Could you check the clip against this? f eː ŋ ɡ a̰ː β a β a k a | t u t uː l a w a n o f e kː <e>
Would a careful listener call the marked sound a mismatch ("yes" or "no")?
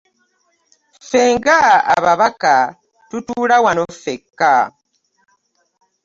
yes